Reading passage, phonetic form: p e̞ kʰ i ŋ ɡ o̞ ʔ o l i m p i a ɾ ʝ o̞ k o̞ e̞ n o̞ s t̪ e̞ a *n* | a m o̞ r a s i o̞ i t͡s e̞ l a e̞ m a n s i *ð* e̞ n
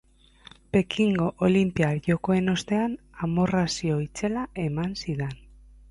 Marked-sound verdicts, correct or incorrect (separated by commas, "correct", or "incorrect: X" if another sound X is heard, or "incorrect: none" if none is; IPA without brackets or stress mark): correct, correct